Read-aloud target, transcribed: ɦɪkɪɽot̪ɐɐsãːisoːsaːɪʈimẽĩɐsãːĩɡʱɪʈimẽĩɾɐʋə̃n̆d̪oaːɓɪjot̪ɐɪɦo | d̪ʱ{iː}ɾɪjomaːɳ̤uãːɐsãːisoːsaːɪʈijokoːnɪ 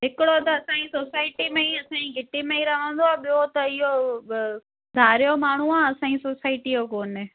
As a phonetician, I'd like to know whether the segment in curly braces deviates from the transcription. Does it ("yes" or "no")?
yes